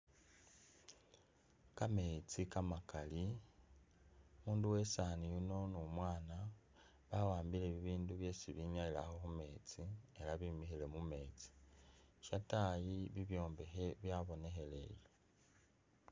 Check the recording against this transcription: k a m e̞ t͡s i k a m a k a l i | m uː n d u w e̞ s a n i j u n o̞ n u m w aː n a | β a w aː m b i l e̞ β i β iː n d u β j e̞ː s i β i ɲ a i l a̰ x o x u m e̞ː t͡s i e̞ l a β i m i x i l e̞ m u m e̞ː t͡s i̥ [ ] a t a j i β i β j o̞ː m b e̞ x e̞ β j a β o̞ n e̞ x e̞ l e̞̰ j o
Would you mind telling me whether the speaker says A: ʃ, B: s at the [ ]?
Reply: A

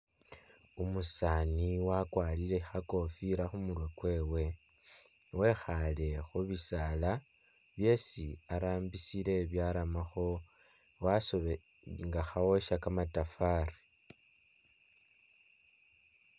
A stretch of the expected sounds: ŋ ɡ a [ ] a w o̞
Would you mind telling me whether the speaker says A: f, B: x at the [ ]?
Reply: B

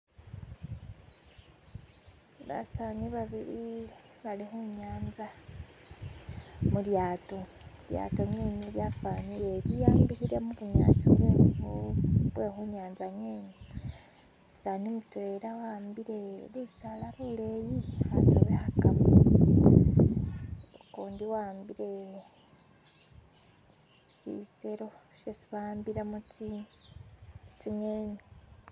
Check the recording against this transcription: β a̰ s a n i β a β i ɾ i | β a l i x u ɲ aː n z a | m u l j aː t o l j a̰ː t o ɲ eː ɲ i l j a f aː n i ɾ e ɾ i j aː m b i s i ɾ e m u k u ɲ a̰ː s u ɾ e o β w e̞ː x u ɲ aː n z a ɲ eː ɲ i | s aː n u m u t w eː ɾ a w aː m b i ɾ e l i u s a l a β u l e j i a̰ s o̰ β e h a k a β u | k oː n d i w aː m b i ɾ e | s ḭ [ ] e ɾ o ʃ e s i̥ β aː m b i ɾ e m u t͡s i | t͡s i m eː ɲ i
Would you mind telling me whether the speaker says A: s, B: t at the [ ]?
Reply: A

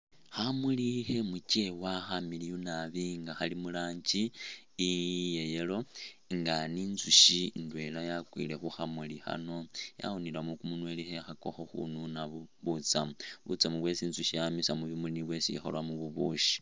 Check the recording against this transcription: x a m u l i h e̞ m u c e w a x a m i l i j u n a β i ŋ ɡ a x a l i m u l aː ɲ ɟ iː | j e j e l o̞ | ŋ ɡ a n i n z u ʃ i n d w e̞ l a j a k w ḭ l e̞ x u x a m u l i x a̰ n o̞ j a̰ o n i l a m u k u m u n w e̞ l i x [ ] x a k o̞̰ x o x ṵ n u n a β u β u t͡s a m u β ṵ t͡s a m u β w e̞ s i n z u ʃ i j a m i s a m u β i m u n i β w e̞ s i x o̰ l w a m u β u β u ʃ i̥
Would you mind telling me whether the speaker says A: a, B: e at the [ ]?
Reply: B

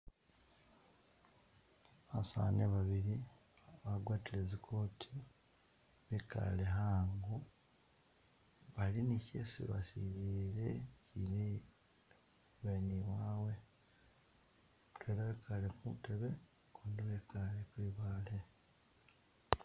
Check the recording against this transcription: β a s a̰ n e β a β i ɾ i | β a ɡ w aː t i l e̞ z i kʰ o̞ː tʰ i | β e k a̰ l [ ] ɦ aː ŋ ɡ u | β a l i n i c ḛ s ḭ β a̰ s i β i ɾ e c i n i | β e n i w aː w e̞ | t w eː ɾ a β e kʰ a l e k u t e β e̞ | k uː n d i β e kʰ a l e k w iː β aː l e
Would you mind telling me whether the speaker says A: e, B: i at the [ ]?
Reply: A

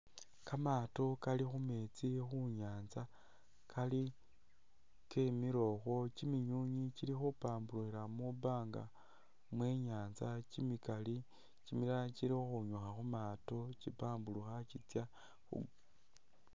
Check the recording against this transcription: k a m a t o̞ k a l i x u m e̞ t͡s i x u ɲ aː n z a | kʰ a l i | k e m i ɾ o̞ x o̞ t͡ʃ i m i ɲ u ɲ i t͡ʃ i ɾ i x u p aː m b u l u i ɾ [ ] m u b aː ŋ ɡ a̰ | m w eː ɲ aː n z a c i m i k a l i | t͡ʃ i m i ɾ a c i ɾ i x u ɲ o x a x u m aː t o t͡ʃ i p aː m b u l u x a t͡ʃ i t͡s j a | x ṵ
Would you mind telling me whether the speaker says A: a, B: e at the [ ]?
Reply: A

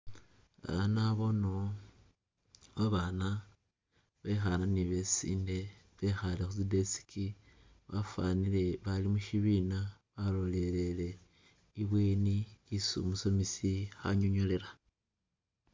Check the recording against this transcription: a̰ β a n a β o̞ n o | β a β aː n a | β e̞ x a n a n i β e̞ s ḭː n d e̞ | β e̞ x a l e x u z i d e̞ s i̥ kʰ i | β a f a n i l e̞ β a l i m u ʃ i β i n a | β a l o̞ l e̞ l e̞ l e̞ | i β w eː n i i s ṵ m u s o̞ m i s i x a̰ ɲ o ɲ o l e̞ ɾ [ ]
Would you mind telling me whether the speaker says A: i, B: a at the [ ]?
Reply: B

